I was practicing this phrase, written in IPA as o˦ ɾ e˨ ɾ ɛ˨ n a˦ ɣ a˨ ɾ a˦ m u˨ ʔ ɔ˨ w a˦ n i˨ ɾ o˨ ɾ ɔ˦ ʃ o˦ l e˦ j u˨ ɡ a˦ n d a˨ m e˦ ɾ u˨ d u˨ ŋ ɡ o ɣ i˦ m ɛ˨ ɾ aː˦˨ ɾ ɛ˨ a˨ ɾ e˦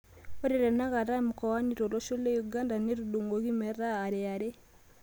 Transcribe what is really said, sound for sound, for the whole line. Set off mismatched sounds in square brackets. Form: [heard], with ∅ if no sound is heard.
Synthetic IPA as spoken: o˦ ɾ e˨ ɾ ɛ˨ n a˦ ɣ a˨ ɾ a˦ m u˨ [k] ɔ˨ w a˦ n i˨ ɾ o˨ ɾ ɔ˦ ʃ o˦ l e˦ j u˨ ɡ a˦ n d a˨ [n] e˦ ɾ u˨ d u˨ ŋ ɡ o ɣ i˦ m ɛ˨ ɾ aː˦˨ ɾ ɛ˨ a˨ ɾ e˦